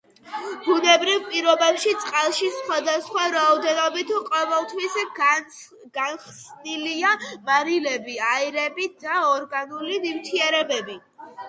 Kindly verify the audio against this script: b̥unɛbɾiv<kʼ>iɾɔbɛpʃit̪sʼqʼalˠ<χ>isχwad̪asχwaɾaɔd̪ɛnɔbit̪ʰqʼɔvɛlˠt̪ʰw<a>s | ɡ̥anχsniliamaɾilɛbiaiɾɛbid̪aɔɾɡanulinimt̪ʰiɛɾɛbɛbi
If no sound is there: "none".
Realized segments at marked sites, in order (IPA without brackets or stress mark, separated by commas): pʼ, ʃ, i